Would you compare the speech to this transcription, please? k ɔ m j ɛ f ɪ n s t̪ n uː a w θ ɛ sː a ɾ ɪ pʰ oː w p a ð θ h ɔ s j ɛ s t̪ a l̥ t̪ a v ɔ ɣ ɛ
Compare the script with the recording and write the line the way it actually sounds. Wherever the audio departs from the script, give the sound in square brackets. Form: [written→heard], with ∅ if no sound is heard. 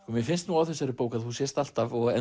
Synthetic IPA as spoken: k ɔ m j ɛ f ɪ n s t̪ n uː a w θ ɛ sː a ɾ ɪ [pʰ→p] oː w [p→k] a ð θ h [ɔ→u] s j ɛ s t̪ a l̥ t̪ a v ɔ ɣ ɛ